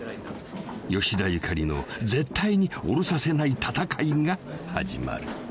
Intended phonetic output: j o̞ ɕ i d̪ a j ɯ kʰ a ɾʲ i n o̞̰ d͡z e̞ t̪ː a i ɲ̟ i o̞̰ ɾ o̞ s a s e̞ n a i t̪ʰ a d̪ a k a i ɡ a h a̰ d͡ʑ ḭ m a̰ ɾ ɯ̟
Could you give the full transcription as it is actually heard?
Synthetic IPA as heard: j o̞ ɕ i d̪ a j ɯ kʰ a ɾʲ i n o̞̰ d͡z e̞ t̪ː a i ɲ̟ i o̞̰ ɾ o̞ s a s e̞ n a i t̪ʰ a t̪ a k a i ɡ a h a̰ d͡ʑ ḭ m a̰ ɾ ɯ̟